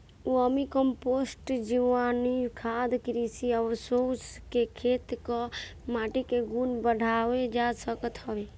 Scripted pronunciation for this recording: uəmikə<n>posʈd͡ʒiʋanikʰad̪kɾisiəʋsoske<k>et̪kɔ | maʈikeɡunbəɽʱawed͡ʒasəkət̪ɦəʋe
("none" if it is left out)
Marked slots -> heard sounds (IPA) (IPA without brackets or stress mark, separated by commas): m, kʰ